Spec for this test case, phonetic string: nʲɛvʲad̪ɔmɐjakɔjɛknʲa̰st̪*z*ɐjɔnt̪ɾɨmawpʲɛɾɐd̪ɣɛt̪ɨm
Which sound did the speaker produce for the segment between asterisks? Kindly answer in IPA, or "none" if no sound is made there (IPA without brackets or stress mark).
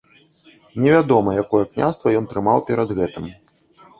v